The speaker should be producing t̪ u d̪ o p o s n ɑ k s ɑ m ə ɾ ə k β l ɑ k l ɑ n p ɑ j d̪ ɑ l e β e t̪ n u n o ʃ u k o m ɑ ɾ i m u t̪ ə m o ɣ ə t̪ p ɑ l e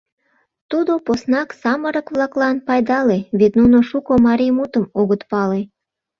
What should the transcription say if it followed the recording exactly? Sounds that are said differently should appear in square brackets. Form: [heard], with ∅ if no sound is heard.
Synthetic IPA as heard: t̪ u d̪ o p o s n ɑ k s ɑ m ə ɾ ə k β l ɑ k l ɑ n p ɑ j d̪ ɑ l e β e t̪ n u n o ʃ u k o m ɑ ɾ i m u t̪ ə m o ɣ ə t̪ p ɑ l e